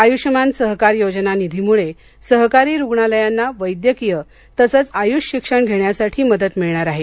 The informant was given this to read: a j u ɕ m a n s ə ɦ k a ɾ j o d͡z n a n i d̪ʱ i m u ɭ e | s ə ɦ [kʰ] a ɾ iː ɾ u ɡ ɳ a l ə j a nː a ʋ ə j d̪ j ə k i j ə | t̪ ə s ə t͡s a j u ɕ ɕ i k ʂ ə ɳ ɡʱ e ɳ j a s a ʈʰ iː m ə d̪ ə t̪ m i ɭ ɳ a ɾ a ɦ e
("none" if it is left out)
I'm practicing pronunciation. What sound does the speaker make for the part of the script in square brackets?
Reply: k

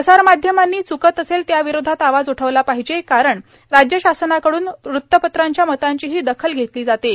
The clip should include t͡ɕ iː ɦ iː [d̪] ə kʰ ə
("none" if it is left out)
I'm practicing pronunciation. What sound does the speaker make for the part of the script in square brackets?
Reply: d̪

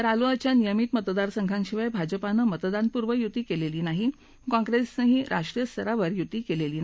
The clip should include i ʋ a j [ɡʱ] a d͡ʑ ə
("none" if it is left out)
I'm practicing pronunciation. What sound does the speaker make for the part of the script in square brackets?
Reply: bʱ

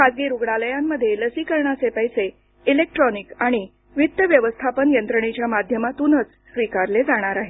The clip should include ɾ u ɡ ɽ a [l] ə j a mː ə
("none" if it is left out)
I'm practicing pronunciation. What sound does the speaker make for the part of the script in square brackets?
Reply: l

